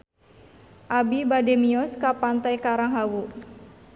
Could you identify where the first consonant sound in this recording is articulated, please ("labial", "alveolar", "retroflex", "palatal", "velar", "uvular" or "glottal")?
glottal